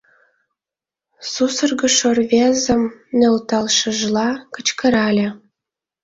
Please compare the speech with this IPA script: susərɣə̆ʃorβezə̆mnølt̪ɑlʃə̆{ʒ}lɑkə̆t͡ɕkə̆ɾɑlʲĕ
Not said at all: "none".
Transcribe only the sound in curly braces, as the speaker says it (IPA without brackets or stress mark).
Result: ʒ